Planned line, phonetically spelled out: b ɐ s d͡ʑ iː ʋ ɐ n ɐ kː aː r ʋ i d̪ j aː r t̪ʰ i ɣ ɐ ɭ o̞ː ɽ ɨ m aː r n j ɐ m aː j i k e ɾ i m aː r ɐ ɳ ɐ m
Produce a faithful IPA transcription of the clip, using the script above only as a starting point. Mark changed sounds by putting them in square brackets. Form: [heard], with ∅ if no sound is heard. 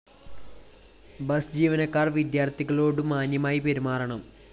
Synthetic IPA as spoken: b ɐ s d͡ʑ iː ʋ ɐ n ɐ kː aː r ʋ i d̪ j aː r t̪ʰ i ɣ ɐ ɭ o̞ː ɽ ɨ m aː [∅] n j ɐ m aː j i [p] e ɾ i m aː r ɐ ɳ ɐ m